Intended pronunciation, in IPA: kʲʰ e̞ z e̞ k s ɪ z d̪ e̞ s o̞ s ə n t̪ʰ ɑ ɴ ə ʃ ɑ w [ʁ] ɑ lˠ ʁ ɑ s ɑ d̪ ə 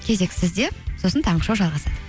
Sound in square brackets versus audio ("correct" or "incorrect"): incorrect